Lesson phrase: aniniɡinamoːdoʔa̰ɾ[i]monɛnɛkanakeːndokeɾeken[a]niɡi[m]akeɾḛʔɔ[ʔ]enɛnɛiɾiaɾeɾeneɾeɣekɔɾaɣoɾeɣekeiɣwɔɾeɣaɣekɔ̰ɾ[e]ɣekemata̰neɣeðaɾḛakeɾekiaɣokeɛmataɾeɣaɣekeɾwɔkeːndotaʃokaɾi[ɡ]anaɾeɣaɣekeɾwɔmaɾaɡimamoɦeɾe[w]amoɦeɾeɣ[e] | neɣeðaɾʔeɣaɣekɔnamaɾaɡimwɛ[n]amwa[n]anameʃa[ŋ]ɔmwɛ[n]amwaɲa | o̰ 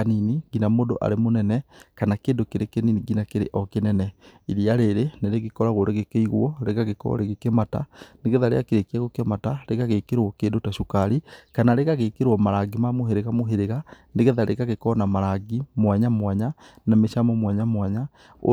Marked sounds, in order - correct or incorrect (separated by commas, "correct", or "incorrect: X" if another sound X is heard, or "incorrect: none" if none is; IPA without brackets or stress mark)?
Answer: incorrect: e, incorrect: i, incorrect: n, incorrect: k, correct, incorrect: k, incorrect: ɣ, incorrect: a, incorrect: ɲ, incorrect: ɲ, incorrect: m, incorrect: ɲ